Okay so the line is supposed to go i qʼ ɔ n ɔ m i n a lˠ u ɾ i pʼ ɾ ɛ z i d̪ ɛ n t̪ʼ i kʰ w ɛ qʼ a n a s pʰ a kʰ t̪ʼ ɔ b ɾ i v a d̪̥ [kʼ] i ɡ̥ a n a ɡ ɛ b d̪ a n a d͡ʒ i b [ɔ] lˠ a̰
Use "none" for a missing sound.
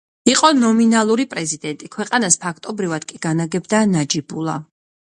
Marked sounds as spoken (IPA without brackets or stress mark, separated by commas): kʼ, u